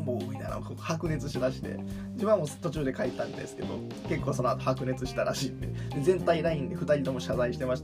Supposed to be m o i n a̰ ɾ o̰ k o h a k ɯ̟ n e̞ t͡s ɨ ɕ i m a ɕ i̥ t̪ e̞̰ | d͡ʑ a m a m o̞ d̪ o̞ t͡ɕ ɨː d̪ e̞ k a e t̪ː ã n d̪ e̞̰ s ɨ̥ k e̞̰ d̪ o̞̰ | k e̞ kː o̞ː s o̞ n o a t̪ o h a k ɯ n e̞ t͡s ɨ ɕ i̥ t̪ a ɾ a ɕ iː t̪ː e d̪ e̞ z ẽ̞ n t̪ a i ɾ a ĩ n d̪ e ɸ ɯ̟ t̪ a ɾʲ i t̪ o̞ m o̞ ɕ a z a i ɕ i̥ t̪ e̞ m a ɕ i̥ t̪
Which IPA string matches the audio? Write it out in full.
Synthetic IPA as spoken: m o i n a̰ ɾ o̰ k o h a k ɯ̟ n e̞ t͡s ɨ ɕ i m a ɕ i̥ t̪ e̞̰ | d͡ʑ i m a m o̞ t̪ o̞ t͡ɕ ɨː d̪ e̞ k a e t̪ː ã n d̪ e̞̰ s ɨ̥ k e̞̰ d̪ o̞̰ | k e̞ kː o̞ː s o̞ n o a t̪ o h a k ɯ n e̞ t͡s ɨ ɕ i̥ t̪ a ɾ a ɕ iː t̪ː e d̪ e̞ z ẽ̞ n t̪ a i ɾ a ĩ n d̪ e ɸ ɯ̟ t̪ a ɾʲ i t̪ o̞ m o̞ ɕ a z a i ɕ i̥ t̪ e̞ m a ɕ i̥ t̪